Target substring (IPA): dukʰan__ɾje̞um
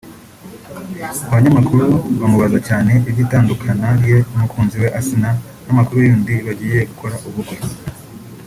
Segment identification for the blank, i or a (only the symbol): a